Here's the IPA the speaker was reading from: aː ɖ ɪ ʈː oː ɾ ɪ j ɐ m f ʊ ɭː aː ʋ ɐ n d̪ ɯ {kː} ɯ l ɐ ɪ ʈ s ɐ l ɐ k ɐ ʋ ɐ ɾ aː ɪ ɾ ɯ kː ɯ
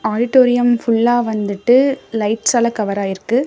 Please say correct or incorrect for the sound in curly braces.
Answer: incorrect